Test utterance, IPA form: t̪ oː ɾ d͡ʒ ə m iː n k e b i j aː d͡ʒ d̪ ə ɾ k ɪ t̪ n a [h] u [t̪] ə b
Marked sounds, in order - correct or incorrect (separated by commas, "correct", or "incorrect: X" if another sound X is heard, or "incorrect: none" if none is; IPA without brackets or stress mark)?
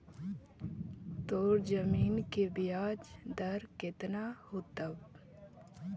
correct, correct